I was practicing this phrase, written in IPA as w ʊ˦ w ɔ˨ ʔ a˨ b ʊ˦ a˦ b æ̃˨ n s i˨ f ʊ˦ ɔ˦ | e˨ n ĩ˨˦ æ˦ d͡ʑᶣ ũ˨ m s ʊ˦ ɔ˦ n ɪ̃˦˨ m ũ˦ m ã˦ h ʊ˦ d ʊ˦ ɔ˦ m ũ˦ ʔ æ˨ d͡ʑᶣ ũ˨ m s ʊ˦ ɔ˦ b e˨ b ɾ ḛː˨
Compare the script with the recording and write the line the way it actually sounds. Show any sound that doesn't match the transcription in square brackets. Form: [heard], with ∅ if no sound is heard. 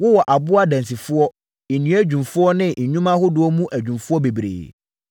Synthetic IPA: w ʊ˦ w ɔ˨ ʔ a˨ b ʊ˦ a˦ [d] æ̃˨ n s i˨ f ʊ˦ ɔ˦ | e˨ n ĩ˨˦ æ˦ d͡ʑᶣ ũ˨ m [f] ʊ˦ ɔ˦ n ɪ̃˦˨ [ɲ] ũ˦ m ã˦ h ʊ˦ d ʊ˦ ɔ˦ m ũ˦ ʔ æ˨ d͡ʑᶣ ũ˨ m [f] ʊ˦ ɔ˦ b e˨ b ɾ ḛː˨